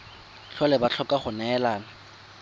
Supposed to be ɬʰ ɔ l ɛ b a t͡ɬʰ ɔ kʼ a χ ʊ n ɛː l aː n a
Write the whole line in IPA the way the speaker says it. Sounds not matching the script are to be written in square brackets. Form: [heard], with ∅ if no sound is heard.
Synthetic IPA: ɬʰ ɔ l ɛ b a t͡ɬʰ ɔ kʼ a χ ʊ n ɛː l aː n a